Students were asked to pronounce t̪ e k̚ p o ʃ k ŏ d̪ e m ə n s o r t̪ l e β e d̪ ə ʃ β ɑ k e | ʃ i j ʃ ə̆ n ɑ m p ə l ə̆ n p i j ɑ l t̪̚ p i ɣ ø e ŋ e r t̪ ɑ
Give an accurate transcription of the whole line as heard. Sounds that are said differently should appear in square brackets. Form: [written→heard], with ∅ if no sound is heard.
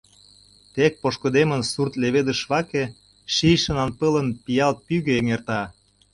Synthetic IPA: t̪ e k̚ p o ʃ k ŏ d̪ e m ə n s [o→u] r t̪ l e β e d̪ ə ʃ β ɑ k e | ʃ i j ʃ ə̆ n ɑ [m→n] p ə l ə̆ n p i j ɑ l t̪̚ p [i→y] ɣ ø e ŋ e r t̪ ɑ